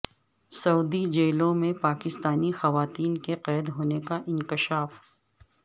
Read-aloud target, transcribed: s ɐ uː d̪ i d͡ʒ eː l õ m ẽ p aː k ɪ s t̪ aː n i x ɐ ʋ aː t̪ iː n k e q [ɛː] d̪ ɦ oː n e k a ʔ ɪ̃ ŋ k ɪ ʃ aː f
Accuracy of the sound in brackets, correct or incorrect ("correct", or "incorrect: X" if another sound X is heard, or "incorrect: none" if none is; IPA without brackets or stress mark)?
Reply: correct